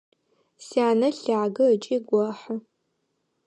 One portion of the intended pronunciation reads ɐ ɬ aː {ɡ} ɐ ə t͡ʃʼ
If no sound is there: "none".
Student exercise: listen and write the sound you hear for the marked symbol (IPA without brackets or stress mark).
ɡ